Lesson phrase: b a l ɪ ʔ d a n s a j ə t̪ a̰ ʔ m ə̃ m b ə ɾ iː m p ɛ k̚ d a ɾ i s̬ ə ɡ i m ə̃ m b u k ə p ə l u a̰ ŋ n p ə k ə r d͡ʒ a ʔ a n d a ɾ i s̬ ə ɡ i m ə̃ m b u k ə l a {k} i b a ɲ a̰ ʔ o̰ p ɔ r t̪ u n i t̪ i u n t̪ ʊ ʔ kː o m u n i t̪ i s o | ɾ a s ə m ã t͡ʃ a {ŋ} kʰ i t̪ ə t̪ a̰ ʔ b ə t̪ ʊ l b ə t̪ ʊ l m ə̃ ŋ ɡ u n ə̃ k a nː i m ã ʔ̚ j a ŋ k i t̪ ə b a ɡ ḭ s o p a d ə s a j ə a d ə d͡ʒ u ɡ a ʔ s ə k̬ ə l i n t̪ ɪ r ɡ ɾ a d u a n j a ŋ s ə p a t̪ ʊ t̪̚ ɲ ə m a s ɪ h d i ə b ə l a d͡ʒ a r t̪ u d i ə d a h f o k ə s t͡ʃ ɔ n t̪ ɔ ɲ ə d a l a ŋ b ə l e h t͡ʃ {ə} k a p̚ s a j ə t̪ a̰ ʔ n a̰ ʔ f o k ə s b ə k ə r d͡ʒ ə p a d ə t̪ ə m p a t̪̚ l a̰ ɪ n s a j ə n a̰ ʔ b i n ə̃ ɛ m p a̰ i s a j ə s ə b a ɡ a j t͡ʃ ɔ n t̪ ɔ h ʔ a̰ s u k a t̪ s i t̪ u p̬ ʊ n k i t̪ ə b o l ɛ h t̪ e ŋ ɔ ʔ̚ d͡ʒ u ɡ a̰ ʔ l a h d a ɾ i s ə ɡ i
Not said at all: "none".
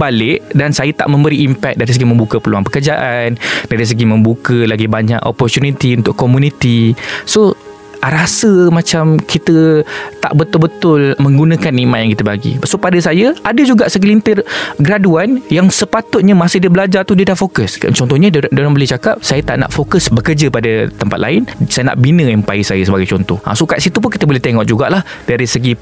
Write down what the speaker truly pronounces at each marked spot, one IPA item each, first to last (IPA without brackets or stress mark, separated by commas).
ɡ, m, a